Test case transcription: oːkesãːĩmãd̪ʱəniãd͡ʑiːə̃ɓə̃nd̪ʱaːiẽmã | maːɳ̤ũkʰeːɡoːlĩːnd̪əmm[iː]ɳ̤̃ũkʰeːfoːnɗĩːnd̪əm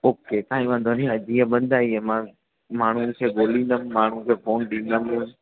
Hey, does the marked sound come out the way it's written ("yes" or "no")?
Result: no